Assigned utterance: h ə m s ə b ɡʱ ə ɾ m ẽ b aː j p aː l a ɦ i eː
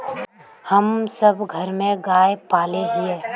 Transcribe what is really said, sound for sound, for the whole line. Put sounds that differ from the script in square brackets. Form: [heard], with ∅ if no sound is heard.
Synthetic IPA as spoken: h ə m s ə b ɡʱ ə ɾ m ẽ [ɡ] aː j p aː l [e] ɦ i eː